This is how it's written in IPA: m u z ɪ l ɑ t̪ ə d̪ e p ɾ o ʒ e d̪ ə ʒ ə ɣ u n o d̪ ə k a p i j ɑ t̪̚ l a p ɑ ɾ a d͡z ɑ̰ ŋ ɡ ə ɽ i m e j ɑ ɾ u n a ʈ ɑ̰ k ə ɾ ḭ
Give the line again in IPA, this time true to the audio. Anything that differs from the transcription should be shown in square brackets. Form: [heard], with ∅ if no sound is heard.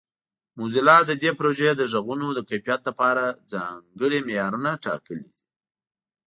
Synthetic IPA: m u z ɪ l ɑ [d̪] ə d̪ e p ɾ o ʒ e d̪ ə ʒ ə ɣ u n o d̪ ə k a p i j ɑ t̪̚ l a p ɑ ɾ a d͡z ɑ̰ ŋ ɡ ə ɽ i m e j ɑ ɾ u n a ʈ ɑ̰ k ə [l] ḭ